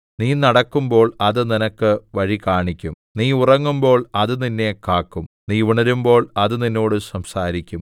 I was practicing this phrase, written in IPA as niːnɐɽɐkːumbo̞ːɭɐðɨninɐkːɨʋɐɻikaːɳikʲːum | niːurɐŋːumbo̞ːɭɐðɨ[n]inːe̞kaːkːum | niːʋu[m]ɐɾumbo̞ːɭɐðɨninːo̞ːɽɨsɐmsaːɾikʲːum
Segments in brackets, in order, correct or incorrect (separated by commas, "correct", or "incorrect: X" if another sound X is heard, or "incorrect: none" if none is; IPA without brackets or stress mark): correct, incorrect: ɳ